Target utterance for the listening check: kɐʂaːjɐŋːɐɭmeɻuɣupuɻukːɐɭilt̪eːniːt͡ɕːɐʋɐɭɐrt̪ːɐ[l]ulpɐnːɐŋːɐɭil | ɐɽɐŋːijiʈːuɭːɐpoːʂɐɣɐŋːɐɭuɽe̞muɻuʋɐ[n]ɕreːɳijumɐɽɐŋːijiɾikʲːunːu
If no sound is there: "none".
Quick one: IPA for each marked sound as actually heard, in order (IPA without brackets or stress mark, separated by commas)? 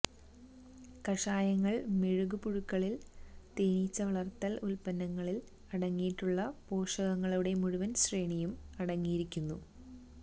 l, n